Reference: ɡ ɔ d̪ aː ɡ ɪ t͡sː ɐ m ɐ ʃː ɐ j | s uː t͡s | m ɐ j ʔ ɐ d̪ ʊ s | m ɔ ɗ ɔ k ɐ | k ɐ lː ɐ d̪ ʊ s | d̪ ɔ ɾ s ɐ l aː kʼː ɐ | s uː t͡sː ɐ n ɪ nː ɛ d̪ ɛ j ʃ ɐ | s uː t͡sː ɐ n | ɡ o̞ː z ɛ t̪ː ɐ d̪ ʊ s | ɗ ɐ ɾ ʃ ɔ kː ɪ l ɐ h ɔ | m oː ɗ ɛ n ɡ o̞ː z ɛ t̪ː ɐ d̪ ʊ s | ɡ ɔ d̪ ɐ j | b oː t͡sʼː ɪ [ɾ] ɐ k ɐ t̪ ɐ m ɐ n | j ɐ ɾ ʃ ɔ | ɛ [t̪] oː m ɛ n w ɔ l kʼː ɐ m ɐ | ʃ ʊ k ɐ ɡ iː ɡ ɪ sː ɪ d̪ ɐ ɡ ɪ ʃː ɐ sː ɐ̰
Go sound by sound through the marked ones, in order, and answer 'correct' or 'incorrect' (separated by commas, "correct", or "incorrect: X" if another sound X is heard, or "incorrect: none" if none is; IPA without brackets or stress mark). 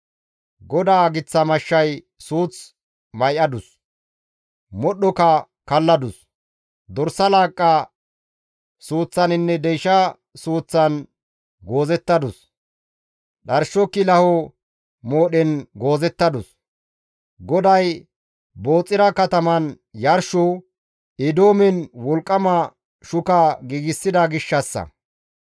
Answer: correct, incorrect: d̪